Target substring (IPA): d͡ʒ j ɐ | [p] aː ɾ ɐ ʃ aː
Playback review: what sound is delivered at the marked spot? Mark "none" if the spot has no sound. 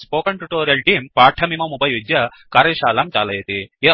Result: k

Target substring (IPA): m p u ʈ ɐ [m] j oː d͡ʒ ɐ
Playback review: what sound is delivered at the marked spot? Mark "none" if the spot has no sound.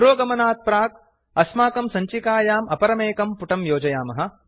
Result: m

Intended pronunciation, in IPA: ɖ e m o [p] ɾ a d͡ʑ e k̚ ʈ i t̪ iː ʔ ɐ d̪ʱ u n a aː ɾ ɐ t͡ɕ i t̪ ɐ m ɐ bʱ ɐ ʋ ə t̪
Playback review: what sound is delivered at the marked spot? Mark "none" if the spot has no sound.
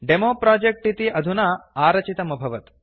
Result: p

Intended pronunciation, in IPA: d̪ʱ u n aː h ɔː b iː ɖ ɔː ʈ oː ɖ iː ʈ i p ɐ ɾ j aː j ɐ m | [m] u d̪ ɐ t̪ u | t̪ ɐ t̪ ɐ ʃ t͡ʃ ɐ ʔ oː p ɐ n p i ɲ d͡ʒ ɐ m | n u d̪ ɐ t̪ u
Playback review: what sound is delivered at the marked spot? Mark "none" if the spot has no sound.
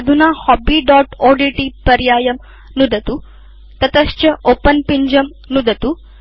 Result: n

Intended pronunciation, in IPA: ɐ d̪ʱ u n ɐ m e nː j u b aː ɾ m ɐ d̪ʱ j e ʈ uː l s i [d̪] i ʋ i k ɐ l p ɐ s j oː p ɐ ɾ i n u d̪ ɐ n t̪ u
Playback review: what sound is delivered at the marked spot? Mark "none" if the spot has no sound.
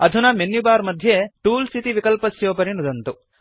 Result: t̪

